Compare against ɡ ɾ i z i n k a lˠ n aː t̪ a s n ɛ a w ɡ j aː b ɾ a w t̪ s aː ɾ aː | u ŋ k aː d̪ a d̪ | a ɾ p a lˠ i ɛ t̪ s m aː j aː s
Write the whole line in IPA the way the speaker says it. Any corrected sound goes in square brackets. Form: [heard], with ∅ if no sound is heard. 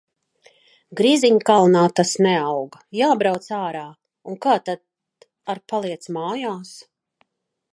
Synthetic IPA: ɡ ɾ i z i [ɲ] k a lˠ n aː t̪ a s n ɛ a w ɡ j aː b ɾ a w t̪ s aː ɾ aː | u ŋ k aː [t̪] a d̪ | a ɾ p a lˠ i ɛ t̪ s m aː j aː s